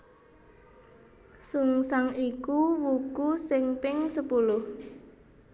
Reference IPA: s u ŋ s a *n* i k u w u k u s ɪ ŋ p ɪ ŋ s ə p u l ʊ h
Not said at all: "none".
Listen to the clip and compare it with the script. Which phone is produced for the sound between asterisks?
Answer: ŋ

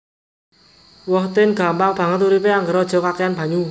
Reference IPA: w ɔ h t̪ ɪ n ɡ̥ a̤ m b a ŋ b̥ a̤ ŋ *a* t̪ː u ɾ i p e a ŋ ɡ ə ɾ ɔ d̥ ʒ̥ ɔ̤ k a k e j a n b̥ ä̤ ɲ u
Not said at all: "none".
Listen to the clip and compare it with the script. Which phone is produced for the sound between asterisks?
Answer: ə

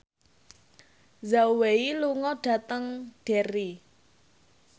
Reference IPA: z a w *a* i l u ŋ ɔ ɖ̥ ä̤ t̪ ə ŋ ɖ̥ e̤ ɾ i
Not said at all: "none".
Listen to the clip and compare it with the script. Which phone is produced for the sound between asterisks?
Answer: e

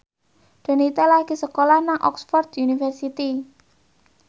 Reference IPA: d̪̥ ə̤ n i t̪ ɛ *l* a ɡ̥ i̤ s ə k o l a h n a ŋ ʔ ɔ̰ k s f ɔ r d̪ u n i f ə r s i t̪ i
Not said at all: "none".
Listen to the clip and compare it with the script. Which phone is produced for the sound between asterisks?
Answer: l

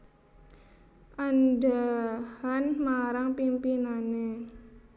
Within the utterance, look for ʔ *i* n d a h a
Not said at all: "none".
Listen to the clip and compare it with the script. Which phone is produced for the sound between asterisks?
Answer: a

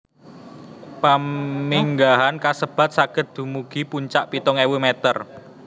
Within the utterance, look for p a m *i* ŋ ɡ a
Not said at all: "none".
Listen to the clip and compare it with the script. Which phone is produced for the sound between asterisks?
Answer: i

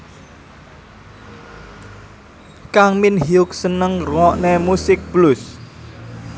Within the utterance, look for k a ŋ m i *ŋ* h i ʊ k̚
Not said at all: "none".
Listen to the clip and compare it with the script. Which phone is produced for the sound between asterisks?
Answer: n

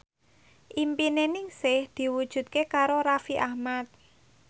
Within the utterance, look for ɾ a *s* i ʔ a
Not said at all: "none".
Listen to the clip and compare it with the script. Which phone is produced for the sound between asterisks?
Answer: f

